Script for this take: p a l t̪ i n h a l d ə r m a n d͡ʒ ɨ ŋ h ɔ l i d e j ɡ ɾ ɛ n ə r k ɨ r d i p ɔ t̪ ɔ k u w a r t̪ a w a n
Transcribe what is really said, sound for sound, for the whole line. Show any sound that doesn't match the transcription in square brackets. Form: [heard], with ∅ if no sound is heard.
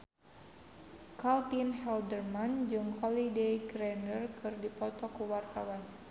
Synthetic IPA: [k] a l t̪ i n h [ɛ] l d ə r m a n d͡ʒ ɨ ŋ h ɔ l i d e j ɡ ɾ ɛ n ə r k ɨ r d i p ɔ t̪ ɔ k u w a r t̪ a w a n